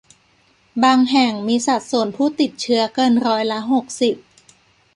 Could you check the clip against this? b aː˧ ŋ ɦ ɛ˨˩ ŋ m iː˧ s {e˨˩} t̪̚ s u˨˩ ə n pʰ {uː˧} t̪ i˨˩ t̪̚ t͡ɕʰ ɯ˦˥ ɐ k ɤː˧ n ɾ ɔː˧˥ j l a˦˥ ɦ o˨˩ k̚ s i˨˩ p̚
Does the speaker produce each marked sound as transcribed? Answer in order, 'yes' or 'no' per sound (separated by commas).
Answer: no, no